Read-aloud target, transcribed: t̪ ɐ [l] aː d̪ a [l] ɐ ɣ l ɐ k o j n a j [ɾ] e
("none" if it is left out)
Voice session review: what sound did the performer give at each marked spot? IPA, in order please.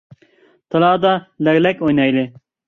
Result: l, l, l

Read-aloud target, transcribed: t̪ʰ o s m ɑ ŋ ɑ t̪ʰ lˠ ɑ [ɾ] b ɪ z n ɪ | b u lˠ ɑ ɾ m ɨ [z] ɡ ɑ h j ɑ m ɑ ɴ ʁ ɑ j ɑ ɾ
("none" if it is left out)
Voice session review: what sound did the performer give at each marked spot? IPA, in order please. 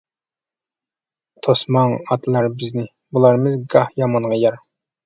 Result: ɾ, z

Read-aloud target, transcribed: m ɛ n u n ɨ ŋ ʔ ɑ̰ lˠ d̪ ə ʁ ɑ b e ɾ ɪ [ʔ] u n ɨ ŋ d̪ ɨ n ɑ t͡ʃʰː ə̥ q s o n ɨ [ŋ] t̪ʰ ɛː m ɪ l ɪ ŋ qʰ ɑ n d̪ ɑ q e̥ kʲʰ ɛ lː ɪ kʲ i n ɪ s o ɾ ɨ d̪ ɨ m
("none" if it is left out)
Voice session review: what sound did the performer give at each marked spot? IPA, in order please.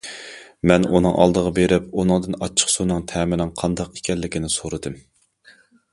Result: p, ŋ

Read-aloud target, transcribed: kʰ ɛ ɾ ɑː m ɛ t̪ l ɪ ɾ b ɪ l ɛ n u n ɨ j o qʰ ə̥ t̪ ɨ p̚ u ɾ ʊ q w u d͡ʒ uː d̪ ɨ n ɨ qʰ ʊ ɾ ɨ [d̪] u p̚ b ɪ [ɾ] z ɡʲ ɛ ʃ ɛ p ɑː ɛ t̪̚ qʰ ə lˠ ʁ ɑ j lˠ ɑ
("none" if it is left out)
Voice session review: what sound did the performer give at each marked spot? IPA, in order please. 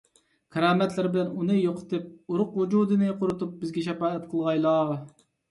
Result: t̪, none

